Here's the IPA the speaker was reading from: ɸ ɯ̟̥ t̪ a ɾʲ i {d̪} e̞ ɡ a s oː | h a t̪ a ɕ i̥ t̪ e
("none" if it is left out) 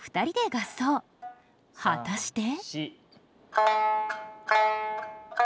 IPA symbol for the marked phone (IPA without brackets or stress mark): d̪